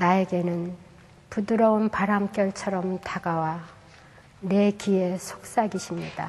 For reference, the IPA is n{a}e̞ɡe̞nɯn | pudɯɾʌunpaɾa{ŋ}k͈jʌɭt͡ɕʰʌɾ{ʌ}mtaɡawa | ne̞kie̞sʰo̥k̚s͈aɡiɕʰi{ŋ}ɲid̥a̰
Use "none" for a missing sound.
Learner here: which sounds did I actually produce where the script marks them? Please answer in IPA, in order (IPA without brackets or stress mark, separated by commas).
a, m, ʌ, m